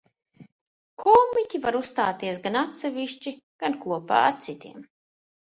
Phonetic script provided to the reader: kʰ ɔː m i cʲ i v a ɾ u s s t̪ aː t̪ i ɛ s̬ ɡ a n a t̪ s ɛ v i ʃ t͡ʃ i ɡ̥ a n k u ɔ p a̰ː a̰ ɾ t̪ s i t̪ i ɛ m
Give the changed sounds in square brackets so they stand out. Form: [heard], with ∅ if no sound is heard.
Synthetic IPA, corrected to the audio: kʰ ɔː m i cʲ i v a ɾ u s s t̪ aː t̪ i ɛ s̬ ɡ a n a t̪ s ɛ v i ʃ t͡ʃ i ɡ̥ a n k u ɔ p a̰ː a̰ ɾ t̪ s i t̪ i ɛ m